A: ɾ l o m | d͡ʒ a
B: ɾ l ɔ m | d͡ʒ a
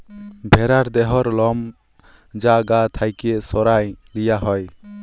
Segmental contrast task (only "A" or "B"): B